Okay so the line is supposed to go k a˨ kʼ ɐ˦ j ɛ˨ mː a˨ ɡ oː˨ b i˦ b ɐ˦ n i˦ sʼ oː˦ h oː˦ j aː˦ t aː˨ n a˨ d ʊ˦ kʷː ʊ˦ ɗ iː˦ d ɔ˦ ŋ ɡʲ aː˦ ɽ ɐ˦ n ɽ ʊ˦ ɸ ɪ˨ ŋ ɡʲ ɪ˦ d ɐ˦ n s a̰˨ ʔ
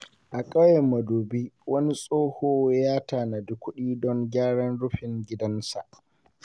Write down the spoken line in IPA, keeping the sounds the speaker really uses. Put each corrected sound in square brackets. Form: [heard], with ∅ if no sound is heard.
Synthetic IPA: [ʔ] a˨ kʼ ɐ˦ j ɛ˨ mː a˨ [d] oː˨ b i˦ [w] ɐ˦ n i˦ sʼ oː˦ h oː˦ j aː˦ t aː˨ n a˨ d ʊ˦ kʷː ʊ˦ ɗ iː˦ d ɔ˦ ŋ ɡʲ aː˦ ɽ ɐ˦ n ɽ ʊ˦ ɸ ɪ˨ ŋ ɡʲ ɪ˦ d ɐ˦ n s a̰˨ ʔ

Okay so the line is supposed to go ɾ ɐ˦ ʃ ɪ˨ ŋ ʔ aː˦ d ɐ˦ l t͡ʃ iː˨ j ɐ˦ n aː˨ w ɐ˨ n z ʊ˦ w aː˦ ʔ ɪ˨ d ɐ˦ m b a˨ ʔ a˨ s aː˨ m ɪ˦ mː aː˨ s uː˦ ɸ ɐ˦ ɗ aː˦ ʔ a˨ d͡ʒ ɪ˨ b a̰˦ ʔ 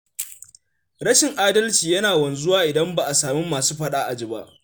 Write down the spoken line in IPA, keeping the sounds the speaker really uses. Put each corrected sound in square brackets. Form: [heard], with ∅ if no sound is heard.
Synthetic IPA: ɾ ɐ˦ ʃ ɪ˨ ŋ ʔ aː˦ d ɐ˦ l t͡ʃ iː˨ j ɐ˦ n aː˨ w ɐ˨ n z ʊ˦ w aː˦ ʔ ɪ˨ d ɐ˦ m b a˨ ʔ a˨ s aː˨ m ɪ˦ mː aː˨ s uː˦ ɸ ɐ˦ ɗ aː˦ ʔ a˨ d͡ʒ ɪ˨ b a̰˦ ʔ

